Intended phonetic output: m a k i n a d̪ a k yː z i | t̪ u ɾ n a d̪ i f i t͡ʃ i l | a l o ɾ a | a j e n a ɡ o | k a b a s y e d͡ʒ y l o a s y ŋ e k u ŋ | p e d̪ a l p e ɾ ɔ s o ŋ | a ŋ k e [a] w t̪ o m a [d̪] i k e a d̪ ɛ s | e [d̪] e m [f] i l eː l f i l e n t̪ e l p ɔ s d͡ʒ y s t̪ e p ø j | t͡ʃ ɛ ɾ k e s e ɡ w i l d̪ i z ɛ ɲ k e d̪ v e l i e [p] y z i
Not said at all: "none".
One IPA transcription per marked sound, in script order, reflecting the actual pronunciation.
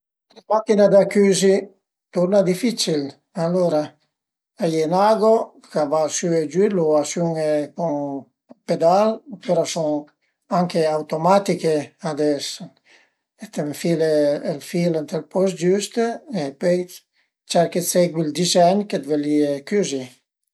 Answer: a, t̪, t̪, f, k

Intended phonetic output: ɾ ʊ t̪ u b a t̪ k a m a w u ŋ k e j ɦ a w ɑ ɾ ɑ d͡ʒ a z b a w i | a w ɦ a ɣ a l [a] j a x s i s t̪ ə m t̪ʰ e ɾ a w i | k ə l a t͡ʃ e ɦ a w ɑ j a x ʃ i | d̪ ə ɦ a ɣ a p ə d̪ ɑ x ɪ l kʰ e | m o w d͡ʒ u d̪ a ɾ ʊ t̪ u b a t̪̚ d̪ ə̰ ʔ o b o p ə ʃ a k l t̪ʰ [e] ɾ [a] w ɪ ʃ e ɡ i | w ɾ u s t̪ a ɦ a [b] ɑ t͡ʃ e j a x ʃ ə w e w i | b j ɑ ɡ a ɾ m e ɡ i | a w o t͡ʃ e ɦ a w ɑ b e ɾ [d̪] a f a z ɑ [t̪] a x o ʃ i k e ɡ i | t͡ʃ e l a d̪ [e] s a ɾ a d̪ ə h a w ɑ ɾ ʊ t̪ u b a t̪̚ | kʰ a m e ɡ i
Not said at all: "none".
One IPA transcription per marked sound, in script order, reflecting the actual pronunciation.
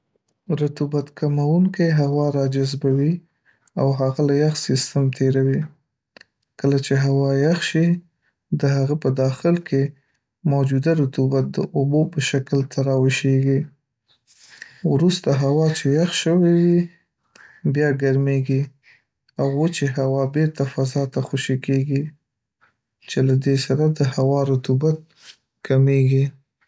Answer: a, a, ɑ, w, t̪, t̪, e

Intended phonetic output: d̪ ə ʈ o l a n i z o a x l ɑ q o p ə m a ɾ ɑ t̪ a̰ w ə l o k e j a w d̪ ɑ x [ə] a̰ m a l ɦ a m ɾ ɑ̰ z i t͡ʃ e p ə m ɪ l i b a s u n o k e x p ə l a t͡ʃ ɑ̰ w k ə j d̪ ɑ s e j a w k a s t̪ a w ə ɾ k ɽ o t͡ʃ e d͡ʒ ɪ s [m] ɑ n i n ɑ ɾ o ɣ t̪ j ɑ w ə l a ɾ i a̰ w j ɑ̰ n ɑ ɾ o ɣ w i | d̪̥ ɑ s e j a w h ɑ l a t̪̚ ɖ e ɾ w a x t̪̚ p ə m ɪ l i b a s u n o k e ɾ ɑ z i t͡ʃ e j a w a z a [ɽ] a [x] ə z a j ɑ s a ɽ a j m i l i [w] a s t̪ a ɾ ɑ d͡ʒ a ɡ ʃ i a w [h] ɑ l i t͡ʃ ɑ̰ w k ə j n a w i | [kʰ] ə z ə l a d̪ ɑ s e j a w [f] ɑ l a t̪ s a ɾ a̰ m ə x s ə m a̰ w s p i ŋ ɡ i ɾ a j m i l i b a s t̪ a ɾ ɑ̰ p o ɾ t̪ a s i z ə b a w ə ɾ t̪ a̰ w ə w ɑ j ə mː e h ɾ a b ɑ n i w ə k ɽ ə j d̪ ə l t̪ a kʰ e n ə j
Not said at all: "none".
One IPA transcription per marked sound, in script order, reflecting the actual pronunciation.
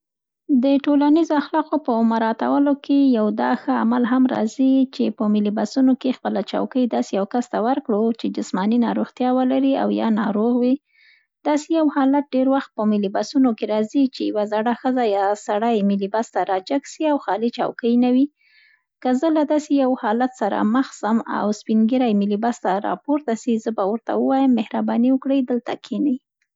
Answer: ə, m, ɽ, x, b, x, k, h

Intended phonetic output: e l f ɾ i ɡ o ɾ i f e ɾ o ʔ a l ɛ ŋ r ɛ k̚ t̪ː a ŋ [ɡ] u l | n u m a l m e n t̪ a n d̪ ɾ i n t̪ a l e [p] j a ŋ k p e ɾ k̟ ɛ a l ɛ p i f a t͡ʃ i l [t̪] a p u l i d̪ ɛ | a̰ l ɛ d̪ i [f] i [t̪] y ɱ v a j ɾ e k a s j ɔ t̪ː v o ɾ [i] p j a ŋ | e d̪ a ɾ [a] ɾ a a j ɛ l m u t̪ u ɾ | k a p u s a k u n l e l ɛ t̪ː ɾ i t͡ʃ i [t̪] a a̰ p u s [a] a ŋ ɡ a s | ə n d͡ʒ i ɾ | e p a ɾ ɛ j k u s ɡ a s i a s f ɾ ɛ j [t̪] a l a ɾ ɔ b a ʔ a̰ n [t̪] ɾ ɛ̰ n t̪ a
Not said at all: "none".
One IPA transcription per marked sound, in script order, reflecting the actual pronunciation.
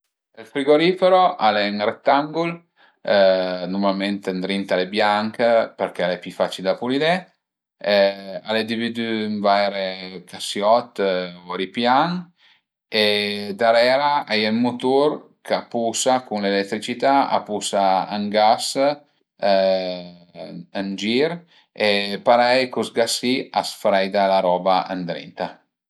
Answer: ɡ, b, d̪, v, d̪, i, ɛ, t̪, a, d̪, d̪

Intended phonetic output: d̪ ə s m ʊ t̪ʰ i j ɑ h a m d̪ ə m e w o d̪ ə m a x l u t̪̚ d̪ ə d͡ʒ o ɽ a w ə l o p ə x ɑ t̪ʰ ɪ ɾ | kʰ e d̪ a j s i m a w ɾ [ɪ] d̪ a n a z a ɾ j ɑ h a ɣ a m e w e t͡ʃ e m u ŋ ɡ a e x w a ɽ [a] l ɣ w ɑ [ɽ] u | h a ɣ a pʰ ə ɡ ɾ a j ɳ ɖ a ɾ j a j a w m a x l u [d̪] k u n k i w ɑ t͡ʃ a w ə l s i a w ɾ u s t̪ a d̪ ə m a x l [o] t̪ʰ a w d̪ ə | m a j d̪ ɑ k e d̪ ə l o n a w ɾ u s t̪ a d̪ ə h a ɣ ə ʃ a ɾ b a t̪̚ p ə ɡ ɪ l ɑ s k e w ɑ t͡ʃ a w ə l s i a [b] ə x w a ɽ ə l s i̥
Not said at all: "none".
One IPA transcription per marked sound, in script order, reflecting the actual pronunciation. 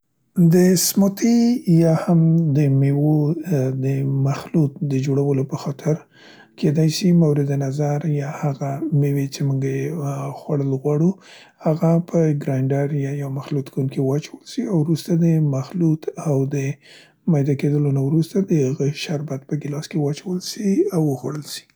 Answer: ɪ, ə, ɽ, t̪, u, w

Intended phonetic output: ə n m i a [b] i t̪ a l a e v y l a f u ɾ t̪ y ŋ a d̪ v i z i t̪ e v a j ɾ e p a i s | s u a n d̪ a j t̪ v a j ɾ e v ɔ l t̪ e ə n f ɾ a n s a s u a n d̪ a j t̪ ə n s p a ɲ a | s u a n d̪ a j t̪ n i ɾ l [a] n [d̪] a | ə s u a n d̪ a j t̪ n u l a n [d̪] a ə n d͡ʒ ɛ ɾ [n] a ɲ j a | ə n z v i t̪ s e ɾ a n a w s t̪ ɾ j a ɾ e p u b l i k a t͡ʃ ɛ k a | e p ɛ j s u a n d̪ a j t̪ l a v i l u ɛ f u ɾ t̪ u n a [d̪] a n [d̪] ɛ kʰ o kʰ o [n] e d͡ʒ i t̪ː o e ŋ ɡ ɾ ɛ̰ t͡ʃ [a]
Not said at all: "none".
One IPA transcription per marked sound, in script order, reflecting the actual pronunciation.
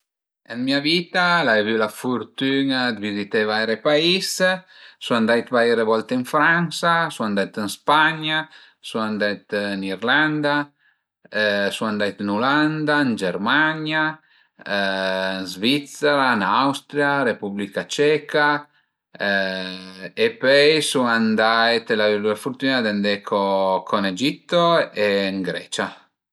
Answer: v, a, d̪, d̪, m, d̪, d̪, n, a

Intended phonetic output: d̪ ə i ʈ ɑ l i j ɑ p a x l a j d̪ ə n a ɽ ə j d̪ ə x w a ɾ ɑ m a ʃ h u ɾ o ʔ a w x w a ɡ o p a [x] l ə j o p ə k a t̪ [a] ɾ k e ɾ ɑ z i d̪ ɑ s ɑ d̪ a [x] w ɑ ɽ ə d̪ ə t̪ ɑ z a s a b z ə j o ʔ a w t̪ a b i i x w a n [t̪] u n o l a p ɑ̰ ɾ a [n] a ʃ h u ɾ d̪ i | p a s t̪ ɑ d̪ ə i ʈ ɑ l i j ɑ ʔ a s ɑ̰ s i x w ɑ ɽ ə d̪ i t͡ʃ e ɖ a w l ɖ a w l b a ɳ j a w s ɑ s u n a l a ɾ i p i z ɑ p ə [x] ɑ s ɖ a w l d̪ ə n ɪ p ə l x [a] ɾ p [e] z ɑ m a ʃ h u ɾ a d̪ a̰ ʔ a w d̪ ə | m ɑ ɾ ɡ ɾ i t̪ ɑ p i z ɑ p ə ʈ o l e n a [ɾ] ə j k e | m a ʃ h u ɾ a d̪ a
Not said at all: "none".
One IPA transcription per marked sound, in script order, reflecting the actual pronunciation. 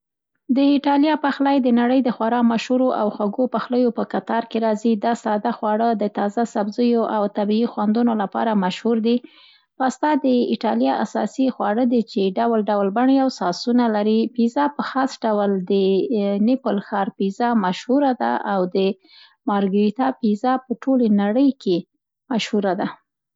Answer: x, ɑ, x, d̪, m, x, ɑ, i, ɽ

